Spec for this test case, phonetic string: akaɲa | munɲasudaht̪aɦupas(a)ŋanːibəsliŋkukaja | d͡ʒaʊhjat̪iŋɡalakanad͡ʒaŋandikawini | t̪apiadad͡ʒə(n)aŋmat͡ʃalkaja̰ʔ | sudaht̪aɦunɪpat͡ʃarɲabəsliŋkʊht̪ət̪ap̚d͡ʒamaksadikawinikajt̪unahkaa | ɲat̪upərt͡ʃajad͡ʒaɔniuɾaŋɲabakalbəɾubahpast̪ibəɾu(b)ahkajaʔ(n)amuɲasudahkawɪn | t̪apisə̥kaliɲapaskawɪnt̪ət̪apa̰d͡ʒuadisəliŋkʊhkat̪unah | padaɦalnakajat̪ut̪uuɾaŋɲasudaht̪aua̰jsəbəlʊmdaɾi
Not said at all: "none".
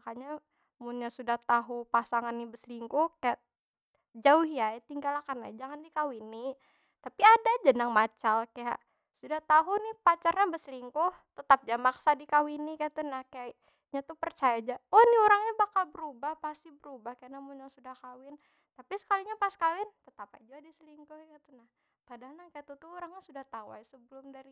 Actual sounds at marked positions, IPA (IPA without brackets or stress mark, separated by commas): a, n, b, n